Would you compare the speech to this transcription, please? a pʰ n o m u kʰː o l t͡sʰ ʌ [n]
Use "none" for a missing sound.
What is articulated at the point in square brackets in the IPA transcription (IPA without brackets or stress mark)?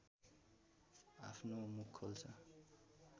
none